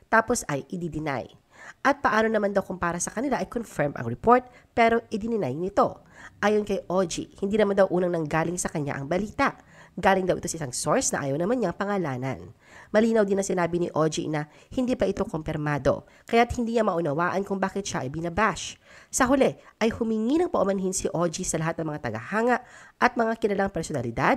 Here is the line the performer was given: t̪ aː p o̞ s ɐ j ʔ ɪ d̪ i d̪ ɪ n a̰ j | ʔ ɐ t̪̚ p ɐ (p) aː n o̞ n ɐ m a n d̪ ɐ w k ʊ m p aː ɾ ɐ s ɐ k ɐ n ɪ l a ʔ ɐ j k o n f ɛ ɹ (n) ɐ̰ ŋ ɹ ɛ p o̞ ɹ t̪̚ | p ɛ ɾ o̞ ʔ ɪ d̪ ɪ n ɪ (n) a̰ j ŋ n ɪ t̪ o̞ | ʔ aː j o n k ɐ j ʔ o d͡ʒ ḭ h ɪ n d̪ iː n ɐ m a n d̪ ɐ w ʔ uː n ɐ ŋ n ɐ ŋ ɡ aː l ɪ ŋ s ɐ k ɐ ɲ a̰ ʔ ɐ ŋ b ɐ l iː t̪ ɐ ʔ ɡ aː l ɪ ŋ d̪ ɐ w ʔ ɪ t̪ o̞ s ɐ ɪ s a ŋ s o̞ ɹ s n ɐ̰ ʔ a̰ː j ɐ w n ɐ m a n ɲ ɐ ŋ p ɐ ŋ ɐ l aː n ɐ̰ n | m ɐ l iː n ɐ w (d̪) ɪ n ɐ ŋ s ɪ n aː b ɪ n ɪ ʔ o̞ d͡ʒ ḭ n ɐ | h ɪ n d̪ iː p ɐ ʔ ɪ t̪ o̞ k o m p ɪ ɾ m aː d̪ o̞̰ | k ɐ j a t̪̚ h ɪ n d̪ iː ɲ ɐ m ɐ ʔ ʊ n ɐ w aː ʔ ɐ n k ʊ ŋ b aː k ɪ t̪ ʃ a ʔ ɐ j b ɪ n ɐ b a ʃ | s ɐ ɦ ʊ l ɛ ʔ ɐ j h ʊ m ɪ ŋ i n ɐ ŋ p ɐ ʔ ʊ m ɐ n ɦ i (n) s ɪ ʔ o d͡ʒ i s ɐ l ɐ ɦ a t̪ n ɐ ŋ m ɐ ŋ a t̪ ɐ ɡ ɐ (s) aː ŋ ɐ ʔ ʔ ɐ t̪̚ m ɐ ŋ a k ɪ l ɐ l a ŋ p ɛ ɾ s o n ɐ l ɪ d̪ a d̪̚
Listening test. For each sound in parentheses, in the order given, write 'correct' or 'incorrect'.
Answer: incorrect: ʔ, incorrect: m, correct, correct, correct, incorrect: h

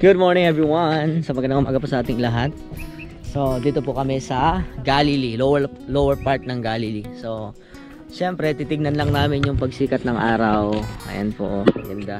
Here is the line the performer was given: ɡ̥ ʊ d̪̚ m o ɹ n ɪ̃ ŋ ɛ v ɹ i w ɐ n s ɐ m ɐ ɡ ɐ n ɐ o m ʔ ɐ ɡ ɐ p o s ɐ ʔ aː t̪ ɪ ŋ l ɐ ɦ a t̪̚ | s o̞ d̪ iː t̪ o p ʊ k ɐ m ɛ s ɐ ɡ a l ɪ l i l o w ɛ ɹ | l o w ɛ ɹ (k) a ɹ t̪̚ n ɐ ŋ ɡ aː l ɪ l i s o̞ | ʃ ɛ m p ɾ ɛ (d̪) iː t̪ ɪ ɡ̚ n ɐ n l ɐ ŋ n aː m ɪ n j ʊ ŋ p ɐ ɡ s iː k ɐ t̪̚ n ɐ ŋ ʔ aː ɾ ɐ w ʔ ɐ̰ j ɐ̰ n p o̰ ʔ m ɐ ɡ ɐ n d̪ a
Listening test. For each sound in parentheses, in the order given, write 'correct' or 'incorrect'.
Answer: incorrect: p, incorrect: t̪

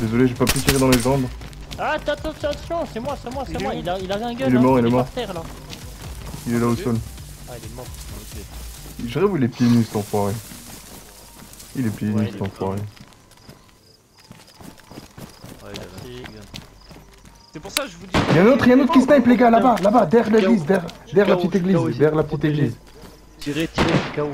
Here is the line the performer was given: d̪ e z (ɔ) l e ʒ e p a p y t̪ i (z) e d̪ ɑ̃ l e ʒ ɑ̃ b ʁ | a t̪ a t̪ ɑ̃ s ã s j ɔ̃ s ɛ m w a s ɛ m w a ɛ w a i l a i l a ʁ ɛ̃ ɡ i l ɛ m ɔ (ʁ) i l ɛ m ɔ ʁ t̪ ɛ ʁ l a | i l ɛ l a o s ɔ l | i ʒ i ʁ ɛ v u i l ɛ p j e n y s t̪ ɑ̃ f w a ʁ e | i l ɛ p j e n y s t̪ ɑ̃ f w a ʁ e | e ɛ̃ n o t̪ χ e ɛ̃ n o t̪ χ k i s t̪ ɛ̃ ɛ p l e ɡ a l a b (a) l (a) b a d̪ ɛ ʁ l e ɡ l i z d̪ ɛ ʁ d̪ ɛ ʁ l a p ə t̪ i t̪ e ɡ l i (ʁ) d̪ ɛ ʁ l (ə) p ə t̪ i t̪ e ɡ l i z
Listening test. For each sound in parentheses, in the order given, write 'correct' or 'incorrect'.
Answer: correct, incorrect: ʁ, correct, correct, correct, incorrect: z, incorrect: a

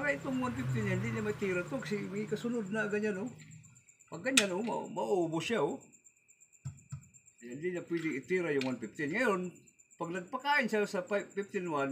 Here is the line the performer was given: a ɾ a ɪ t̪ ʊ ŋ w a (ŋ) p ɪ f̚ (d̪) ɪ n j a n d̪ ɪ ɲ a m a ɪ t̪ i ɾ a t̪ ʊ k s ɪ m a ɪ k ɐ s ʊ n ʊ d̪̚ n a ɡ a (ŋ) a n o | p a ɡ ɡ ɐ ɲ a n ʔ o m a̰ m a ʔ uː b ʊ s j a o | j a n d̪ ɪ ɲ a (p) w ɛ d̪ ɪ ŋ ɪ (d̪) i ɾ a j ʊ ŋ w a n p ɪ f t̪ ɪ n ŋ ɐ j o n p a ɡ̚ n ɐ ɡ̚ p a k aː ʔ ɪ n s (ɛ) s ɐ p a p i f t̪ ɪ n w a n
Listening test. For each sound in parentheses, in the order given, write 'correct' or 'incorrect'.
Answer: incorrect: n, incorrect: t̪, incorrect: ɲ, correct, incorrect: t̪, incorrect: a

